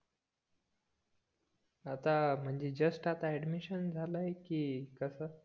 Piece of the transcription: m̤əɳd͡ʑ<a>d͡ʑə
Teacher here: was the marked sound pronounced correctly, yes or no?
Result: no